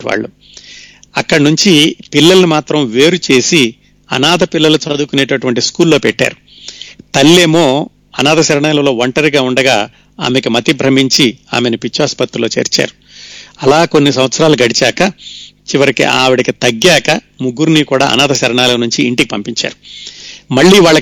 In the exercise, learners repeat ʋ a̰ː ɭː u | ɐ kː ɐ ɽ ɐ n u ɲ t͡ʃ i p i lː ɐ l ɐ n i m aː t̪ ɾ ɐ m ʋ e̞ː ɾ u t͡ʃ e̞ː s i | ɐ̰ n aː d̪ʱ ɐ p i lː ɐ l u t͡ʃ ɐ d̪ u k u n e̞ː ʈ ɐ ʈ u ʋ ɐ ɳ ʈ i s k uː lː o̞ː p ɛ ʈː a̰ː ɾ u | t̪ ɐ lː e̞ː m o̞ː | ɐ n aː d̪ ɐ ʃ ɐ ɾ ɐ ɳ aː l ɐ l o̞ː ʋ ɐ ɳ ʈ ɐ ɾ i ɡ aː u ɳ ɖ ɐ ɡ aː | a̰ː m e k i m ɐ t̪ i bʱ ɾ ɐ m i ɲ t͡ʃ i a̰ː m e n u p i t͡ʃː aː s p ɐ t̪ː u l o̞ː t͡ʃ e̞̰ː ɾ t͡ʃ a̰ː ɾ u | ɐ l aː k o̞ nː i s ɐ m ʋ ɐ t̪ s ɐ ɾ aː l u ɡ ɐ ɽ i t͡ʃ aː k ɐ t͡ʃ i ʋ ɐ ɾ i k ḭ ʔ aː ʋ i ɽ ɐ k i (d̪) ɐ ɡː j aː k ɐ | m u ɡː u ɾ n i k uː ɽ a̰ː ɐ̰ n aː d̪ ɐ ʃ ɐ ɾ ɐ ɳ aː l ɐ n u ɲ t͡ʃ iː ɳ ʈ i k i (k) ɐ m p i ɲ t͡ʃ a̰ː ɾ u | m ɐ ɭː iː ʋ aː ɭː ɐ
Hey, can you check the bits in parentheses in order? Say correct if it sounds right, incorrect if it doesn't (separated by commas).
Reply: incorrect, incorrect